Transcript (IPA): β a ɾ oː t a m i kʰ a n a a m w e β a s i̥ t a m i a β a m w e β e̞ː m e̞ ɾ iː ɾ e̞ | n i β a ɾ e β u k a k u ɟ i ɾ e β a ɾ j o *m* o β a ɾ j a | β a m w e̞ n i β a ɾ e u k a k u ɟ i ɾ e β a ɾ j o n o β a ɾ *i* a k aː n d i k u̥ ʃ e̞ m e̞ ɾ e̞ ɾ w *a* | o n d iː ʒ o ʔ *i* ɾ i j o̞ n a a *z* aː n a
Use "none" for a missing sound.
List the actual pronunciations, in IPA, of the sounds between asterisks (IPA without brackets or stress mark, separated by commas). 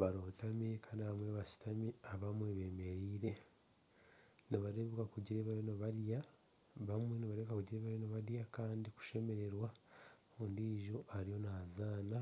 n, j, a, a, z